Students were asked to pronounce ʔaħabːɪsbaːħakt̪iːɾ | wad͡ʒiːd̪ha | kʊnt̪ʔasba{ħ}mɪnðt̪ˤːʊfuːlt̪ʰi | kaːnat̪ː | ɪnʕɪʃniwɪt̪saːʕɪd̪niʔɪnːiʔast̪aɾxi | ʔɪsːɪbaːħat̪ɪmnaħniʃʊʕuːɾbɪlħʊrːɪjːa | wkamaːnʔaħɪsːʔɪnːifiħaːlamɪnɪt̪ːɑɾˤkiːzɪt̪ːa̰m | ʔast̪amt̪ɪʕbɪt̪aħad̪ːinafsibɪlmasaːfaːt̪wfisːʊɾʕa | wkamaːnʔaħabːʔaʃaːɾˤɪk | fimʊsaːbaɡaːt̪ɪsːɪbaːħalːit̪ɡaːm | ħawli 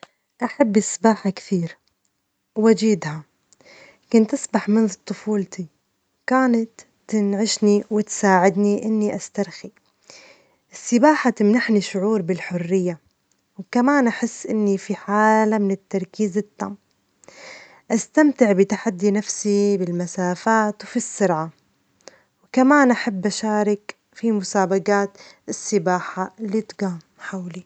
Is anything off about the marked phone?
no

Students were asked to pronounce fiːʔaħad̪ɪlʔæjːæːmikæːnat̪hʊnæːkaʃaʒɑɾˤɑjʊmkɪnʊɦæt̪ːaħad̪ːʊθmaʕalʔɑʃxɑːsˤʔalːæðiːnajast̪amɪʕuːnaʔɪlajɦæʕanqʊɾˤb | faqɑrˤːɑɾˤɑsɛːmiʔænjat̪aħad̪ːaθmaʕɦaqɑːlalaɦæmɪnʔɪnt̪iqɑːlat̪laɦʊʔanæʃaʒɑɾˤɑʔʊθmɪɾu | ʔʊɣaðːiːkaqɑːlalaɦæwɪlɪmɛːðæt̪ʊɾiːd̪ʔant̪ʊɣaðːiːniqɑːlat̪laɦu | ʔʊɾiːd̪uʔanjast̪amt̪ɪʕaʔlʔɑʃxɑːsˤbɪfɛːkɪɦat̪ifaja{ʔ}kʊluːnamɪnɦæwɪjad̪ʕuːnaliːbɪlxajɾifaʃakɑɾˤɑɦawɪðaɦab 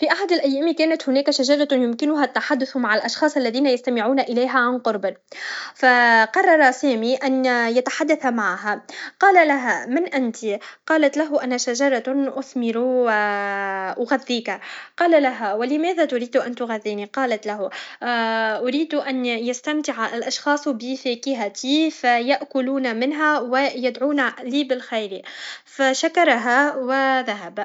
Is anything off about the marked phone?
no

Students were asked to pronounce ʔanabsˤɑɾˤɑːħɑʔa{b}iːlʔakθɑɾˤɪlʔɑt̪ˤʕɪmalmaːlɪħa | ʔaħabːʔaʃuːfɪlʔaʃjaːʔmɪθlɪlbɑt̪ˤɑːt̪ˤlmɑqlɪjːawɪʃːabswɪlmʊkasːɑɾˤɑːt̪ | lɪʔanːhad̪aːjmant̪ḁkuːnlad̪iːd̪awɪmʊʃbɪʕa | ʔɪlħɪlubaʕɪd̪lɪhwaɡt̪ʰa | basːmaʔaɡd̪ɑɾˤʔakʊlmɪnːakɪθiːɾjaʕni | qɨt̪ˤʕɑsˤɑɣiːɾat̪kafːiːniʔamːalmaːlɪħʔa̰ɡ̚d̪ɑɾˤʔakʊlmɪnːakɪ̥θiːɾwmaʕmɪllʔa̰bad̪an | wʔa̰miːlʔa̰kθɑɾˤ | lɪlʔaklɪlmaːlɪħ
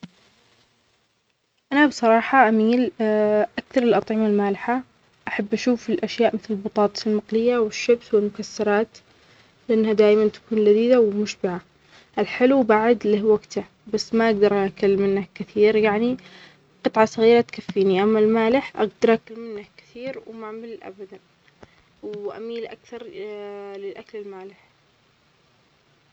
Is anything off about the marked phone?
yes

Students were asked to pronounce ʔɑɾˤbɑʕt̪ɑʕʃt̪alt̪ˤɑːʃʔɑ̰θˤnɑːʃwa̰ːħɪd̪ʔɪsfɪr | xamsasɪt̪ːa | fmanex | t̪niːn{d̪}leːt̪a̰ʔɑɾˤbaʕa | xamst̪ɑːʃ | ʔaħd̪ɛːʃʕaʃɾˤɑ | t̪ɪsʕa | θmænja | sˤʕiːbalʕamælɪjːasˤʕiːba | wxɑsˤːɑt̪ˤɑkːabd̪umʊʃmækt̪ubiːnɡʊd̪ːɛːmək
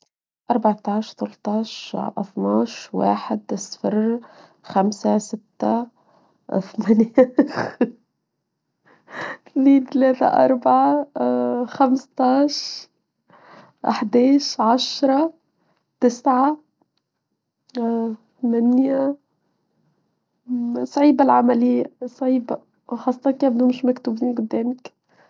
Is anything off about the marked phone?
yes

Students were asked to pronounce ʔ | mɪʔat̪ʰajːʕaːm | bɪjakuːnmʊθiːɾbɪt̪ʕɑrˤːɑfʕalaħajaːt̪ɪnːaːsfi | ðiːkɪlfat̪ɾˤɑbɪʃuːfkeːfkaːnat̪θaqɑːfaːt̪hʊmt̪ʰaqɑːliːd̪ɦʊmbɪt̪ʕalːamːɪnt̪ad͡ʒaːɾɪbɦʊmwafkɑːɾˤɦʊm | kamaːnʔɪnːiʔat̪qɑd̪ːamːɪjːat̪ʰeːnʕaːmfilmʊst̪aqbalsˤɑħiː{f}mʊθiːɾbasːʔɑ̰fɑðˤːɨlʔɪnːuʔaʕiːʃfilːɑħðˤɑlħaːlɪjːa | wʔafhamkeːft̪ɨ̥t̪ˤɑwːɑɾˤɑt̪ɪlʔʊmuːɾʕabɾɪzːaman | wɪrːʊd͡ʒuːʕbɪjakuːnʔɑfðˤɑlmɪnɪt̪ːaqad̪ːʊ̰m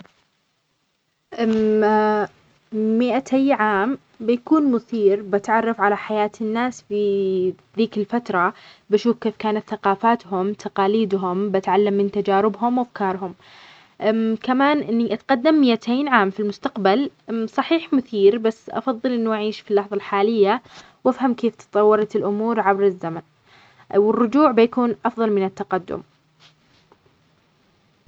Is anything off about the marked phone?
yes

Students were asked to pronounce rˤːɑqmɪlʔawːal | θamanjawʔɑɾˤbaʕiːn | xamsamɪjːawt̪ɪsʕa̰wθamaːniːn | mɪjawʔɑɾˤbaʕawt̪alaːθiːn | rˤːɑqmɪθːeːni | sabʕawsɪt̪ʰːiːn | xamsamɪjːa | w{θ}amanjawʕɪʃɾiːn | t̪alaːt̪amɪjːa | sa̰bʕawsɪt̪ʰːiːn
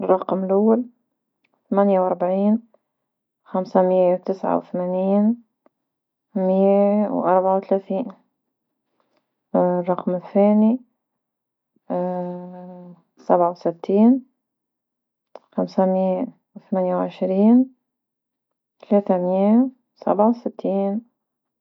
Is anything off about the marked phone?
no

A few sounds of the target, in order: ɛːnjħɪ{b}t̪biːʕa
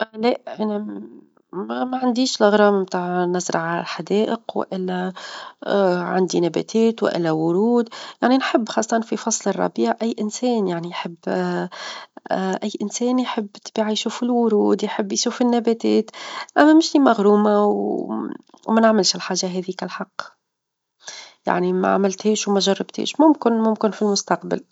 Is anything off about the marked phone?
yes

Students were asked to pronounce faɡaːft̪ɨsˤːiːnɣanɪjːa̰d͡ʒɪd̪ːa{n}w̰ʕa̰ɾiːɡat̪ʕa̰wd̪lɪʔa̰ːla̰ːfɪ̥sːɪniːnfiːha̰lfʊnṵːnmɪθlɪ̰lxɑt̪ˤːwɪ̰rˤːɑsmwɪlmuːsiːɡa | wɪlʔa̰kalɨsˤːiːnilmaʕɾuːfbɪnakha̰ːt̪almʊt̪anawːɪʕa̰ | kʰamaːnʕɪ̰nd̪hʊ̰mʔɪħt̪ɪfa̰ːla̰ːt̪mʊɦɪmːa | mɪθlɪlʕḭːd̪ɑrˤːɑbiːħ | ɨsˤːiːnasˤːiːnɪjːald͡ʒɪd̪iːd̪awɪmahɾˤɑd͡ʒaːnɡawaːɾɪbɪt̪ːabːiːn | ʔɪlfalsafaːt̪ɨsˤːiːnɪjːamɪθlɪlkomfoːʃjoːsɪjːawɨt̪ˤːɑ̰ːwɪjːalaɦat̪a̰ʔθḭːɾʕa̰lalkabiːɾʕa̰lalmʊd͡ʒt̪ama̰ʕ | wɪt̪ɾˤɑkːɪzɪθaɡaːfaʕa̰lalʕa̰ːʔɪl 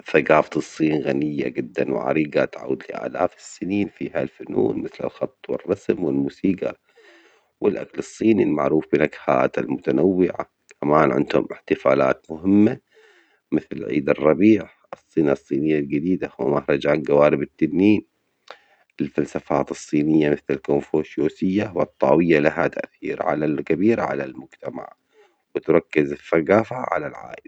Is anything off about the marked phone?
no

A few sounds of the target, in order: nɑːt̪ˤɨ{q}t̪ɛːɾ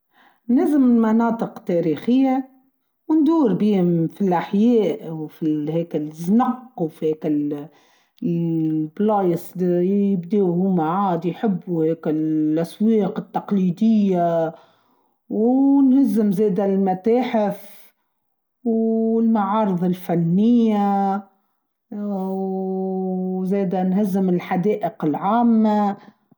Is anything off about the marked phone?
no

